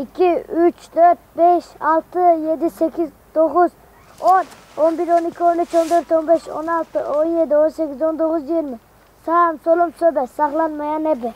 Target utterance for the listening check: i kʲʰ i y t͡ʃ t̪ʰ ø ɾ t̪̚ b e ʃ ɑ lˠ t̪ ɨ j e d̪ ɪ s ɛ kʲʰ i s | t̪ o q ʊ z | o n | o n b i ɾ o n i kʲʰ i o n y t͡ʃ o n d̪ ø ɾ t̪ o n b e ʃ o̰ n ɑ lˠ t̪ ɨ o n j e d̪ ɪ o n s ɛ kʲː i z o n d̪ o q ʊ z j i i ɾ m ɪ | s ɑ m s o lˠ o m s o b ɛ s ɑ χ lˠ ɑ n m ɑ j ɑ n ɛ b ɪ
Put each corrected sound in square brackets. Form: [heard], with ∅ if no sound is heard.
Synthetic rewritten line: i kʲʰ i y t͡ʃ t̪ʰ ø ɾ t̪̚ b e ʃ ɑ lˠ t̪ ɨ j e d̪ ɪ s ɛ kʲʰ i [z] | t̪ o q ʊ z | o n | o n b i ɾ o n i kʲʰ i o n y t͡ʃ o n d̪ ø ɾ t̪ o n b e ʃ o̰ n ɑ lˠ t̪ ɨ o n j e d̪ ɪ o n s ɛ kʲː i z o n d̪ o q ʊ z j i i ɾ m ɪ | s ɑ m s o lˠ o m s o b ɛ s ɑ χ lˠ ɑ n m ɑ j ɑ n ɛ b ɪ